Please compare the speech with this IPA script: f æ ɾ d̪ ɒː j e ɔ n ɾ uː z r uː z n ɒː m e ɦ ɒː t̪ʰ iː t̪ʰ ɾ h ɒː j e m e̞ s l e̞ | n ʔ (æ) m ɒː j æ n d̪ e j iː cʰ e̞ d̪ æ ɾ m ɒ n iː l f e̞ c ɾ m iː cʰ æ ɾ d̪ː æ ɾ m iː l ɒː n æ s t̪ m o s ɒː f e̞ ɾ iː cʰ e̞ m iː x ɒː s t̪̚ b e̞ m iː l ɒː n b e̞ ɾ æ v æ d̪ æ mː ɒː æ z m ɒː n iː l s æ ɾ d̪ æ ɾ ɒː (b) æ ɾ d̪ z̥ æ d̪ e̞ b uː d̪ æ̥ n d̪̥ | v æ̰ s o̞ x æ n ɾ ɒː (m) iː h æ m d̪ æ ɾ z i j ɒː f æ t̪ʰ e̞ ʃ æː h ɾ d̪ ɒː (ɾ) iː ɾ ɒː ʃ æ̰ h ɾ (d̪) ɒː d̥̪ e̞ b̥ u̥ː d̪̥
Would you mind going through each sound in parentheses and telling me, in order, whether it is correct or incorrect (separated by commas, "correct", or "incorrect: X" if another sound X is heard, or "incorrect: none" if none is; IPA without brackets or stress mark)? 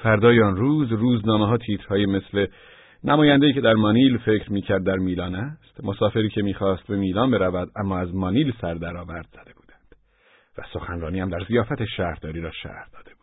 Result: correct, incorrect: v, incorrect: n, correct, correct